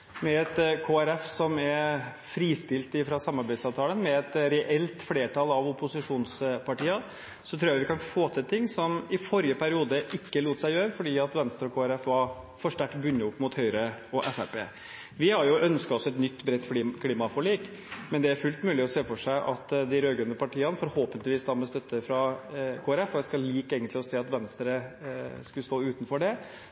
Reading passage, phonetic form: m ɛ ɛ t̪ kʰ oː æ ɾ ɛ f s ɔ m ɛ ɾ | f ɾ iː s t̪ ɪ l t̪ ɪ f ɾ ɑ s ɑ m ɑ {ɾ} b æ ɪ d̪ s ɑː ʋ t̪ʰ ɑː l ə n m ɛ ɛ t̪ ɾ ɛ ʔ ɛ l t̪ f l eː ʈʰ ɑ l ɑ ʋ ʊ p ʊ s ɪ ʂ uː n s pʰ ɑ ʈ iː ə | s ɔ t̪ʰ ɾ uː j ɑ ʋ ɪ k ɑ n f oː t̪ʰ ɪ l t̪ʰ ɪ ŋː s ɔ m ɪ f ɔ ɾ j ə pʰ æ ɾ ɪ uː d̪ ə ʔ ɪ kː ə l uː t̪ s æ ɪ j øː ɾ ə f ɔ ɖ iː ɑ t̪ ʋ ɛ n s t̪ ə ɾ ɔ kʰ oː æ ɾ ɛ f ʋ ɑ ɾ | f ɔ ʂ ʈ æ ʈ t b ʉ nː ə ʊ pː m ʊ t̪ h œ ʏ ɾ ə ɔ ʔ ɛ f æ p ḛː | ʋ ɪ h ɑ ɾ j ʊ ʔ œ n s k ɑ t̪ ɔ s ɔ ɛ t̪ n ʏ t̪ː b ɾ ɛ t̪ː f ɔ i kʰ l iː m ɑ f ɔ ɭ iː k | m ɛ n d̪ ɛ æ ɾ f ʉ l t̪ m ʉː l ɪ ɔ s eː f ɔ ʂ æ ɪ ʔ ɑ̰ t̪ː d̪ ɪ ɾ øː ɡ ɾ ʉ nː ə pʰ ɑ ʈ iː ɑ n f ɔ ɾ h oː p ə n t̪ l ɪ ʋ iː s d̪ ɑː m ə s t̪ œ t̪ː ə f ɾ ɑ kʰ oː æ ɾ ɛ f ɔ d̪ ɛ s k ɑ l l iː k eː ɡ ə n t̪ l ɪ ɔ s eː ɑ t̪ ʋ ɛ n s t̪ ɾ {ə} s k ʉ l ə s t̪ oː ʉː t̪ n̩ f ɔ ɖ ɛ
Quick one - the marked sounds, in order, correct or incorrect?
correct, correct

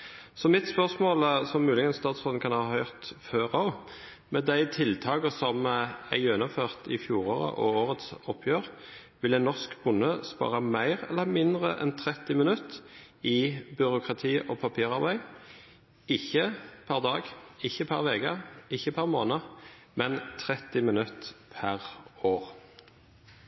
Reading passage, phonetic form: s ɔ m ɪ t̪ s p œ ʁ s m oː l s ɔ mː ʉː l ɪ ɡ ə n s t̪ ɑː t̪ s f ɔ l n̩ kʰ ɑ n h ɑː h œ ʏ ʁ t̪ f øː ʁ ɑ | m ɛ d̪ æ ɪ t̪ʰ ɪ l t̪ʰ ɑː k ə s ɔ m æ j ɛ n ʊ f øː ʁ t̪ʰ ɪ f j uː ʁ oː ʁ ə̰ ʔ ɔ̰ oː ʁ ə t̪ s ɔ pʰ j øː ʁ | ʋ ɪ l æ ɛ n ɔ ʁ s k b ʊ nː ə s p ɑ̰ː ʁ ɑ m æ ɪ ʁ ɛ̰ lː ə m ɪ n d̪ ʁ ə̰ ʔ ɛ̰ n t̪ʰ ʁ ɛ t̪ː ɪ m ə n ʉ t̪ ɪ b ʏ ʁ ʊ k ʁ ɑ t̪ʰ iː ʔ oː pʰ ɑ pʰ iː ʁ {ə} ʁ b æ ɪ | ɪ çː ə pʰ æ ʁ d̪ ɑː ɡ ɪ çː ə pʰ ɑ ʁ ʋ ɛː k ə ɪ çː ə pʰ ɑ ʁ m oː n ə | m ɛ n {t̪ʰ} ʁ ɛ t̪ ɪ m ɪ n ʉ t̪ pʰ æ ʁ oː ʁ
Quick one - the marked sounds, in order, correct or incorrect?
incorrect, correct

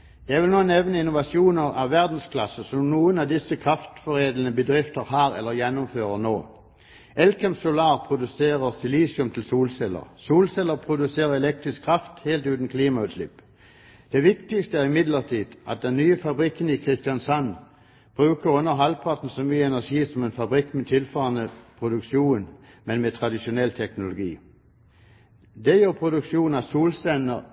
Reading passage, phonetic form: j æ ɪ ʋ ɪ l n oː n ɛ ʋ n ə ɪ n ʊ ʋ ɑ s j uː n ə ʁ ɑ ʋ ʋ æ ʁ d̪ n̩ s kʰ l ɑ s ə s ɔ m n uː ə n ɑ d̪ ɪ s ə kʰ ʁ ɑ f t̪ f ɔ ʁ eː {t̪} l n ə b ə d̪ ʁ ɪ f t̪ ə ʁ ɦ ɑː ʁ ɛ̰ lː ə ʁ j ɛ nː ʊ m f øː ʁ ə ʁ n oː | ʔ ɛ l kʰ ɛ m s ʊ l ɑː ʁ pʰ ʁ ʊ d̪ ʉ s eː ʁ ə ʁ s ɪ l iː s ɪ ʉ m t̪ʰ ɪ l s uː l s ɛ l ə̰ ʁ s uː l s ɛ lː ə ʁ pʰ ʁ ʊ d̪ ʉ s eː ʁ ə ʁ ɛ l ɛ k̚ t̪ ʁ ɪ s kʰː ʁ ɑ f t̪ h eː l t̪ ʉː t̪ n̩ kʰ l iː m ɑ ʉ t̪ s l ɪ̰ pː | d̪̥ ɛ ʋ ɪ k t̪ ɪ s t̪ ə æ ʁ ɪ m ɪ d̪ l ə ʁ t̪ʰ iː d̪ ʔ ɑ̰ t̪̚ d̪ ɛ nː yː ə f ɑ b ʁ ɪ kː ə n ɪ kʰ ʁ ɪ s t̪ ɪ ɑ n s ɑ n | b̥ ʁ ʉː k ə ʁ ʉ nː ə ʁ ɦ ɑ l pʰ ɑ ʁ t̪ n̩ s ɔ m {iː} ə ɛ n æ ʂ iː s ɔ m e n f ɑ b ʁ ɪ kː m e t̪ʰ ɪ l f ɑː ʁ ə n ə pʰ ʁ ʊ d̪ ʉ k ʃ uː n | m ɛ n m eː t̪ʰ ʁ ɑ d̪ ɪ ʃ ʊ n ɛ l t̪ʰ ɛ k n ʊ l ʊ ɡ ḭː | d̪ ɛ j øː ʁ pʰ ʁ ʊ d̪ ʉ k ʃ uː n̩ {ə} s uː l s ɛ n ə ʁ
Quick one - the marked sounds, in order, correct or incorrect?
incorrect, incorrect, incorrect

